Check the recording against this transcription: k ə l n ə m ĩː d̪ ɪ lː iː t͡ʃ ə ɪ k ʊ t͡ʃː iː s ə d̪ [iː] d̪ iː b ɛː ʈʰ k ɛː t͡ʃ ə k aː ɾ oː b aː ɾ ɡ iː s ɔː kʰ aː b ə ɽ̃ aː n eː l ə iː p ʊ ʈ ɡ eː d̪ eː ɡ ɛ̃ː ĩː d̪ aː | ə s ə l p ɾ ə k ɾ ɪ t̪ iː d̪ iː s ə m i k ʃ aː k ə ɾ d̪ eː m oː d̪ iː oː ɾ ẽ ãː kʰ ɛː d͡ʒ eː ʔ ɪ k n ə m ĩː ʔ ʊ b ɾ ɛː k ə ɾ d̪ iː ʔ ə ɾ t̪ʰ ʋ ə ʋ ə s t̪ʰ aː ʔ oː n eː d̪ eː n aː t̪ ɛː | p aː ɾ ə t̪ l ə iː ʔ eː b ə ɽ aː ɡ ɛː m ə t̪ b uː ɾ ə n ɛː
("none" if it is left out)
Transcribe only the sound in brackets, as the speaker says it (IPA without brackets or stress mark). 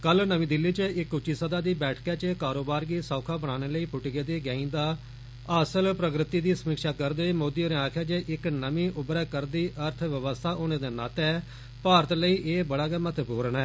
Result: aː